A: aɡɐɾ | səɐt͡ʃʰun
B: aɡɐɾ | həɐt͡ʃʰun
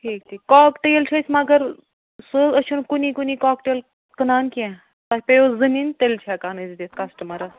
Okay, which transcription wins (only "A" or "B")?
A